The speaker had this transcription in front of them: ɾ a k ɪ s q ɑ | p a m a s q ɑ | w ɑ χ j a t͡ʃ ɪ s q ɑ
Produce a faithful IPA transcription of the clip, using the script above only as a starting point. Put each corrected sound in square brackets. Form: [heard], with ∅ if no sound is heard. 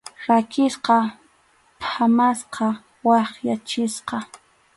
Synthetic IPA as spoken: ɾ a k ɪ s q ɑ | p a m a s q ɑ | w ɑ χ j a t͡ʃ ɪ s q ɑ